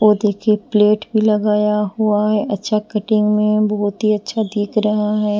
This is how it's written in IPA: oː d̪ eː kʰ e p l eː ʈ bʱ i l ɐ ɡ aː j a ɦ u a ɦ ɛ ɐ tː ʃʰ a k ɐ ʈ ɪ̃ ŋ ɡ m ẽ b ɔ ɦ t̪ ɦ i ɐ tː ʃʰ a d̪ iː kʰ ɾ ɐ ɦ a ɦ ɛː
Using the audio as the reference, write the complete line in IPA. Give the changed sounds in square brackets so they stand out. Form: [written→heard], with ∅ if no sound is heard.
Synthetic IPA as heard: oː d̪ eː kʰ e p l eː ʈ bʱ i l ɐ ɡ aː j a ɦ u a ɦ ɛ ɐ tː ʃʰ a k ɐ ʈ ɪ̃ ŋ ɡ m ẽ b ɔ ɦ t̪ ɦ i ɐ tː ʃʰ a d̪ iː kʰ ɾ ɐ ɦ a ɦ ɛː